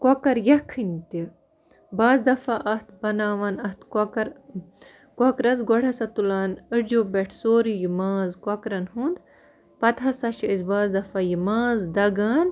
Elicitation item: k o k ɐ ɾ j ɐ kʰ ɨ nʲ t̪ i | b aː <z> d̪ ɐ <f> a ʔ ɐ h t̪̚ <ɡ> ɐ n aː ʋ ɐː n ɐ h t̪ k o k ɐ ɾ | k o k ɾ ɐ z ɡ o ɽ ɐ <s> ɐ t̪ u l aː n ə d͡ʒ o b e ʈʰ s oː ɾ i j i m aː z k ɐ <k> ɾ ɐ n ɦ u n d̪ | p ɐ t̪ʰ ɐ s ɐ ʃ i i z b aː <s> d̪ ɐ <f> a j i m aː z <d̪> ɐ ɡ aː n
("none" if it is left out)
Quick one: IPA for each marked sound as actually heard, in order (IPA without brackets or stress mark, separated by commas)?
z, f, b, s, k, z, f, d̪